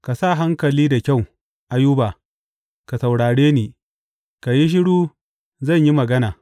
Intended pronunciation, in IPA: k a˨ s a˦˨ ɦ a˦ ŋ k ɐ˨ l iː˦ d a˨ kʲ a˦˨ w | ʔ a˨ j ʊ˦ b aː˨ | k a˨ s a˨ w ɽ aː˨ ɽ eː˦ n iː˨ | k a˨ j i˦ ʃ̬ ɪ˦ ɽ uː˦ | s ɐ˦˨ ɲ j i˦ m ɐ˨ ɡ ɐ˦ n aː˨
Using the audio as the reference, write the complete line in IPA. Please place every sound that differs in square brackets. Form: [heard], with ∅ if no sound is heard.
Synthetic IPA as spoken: k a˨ s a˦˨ ɦ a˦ ŋ k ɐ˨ l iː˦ d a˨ kʲ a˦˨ w | ʔ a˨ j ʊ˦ b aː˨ | k a˨ s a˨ w ɽ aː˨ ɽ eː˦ n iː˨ | k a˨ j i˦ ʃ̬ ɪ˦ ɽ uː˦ | [z] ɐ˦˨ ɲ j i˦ m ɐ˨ ɡ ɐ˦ n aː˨